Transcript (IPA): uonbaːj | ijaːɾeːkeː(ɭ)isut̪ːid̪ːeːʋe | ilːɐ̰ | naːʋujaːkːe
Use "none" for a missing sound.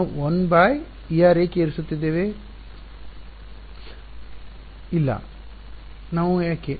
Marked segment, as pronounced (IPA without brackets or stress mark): ɾ